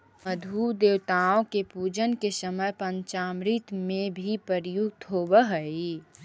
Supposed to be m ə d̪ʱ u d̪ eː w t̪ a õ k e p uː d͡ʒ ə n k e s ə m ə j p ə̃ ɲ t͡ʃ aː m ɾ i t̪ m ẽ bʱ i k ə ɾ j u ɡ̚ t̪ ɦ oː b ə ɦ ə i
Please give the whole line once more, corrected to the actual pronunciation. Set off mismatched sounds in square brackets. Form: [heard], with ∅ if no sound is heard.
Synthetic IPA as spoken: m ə d̪ʱ u d̪ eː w t̪ a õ k e p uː d͡ʒ ə n k e s ə m ə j p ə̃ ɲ t͡ʃ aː m ɾ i t̪ m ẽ bʱ i [p] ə ɾ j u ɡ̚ t̪ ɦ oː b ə ɦ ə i